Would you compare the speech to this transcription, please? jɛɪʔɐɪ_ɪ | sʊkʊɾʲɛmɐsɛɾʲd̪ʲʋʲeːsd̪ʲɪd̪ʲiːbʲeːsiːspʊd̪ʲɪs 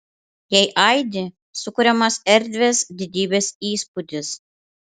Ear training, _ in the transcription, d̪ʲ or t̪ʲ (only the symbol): d̪ʲ